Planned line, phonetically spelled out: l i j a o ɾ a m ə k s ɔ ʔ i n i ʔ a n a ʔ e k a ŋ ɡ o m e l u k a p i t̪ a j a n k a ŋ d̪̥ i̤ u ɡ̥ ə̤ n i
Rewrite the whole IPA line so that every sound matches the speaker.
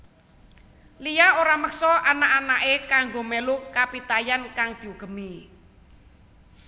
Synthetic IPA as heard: l i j a o ɾ a m ə k s ɔ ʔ a n a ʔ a n a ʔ e k a ŋ ɡ o m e l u k a p i t̪ a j a n k a ŋ d̪̥ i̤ u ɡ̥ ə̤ m i